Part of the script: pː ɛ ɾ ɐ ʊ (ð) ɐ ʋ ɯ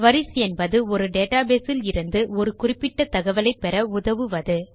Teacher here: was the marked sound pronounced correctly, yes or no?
yes